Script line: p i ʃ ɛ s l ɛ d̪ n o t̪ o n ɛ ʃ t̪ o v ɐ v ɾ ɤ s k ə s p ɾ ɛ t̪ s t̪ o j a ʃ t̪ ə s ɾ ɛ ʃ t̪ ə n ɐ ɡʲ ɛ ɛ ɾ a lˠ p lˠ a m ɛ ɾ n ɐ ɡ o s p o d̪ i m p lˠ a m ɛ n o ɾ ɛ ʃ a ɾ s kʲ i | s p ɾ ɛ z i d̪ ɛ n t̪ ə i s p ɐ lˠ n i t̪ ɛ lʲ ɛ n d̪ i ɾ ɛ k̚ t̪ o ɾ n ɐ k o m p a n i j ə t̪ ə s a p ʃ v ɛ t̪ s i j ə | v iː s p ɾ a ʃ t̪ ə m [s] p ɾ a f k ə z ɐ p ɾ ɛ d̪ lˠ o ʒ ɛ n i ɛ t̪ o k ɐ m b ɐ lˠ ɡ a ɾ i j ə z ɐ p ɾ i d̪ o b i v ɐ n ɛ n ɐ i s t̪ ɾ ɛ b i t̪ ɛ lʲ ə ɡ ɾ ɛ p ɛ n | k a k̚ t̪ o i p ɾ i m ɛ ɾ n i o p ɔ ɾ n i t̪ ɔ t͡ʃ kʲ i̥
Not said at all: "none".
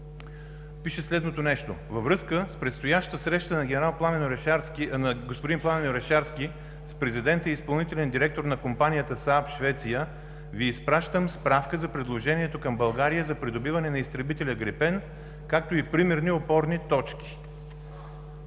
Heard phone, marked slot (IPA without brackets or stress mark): s